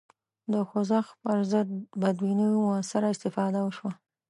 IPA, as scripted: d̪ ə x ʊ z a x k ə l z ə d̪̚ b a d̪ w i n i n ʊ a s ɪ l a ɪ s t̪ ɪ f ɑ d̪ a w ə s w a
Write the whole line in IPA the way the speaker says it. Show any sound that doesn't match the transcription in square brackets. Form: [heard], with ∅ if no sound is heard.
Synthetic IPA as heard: d̪ ə x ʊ z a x [p] ə [ɾ] z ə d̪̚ b a d̪ w i n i [m] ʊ a s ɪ [ɾ] a ɪ s t̪ ɪ f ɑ d̪ a w ə [ʃ] w a